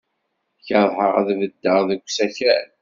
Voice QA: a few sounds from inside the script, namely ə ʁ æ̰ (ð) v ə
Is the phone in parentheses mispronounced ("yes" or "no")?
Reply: no